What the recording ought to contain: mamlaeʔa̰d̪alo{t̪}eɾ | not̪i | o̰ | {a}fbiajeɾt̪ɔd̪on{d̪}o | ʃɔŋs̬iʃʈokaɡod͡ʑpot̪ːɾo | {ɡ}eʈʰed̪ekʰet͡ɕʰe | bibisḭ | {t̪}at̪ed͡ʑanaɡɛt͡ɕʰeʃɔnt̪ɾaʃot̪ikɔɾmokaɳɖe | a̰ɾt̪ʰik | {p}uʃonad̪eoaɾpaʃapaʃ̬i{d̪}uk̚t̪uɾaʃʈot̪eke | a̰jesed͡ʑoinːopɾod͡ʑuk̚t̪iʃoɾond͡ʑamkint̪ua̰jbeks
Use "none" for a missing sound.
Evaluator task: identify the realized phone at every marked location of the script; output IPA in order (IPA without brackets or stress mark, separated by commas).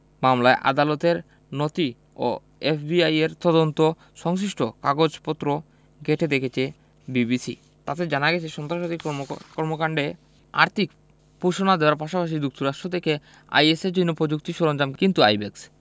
t̪, e, t̪, ɡ, t̪, p, d̪